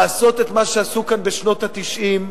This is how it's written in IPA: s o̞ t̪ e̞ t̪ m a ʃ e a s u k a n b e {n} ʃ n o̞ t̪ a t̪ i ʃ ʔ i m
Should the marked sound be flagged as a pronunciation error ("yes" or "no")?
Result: yes